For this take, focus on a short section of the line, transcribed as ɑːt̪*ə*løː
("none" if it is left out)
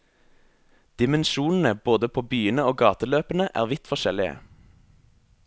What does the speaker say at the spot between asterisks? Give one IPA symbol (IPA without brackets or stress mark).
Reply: ə